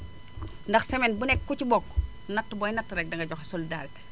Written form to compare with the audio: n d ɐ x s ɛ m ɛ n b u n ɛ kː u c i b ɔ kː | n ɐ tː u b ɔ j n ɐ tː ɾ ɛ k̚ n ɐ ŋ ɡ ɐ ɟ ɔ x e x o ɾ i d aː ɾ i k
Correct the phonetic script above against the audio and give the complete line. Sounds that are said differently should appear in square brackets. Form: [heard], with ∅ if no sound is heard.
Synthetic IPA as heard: n d ɐ x s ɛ m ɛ n b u n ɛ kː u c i b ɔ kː | n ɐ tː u b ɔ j n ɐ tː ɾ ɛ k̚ [d] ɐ ŋ ɡ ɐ ɟ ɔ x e [s] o [l] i d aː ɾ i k